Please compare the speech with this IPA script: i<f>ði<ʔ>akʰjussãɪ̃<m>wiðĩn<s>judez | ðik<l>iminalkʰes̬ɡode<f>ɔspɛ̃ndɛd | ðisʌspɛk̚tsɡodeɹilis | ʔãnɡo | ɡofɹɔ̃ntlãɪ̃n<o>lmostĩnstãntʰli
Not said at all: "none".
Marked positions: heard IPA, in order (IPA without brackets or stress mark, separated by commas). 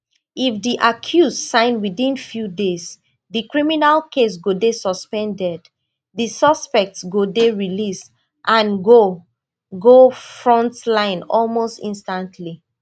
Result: f, ʔ, n, f, ɹ, s, ɔ